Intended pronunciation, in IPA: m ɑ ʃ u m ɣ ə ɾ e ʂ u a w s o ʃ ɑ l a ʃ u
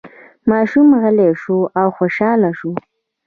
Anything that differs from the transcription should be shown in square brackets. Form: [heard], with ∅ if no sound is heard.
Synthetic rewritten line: m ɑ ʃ u m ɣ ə [l] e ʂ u a w [x] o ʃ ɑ l a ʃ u